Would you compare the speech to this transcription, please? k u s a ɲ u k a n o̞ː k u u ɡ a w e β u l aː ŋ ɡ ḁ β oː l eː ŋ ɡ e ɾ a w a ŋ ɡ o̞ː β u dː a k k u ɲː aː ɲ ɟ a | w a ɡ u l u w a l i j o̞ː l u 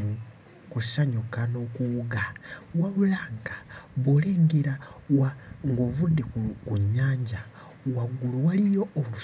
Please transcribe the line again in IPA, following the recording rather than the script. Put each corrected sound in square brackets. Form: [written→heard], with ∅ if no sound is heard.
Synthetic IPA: k u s a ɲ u k a n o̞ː k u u ɡ a w [e→a] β u l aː ŋ ɡ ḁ β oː l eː ŋ ɡ e ɾ a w a ŋ ɡ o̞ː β u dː [a→e] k k u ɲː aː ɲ ɟ a | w a ɡ u l u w a l i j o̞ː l u